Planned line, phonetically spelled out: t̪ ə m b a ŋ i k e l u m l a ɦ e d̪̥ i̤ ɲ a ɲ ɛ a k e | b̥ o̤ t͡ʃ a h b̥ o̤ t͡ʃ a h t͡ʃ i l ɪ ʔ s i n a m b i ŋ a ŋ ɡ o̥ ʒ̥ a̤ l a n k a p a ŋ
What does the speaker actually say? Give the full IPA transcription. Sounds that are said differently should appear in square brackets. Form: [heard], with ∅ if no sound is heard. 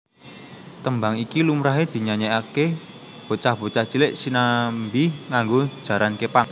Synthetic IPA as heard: t̪ ə m b a ŋ i k [i] l u m [ɾ] a ɦ e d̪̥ i̤ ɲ a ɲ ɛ a k e | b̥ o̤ t͡ʃ a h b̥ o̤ t͡ʃ a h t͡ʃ i l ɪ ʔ s i n a m b i ŋ a ŋ ɡ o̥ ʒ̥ a̤ [ɾ] a n k [e] p a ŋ